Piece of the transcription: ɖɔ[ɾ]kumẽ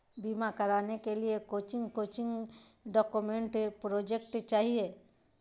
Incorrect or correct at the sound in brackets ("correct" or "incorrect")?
incorrect